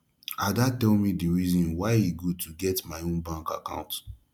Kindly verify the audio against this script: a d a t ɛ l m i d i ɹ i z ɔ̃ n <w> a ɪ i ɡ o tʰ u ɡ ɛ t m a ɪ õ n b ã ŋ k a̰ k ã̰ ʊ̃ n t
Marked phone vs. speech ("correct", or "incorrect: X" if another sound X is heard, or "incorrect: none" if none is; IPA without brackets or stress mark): correct